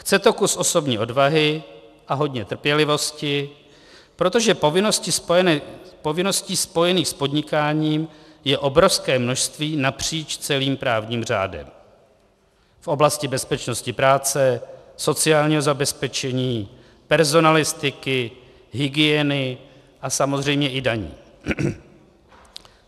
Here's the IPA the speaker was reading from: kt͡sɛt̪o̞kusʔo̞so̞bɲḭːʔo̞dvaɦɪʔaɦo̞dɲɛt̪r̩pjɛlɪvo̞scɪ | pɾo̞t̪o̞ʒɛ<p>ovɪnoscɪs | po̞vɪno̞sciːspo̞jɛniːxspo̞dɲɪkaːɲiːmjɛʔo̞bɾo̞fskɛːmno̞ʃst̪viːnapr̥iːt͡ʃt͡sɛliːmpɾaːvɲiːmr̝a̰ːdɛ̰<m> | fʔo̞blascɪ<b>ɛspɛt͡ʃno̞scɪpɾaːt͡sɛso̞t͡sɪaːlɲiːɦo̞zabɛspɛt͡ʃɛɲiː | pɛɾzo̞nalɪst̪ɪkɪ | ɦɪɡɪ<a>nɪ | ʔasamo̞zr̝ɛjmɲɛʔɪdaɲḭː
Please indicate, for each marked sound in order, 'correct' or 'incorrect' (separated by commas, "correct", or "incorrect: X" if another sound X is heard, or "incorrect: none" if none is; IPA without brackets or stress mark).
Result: correct, correct, correct, incorrect: ɛ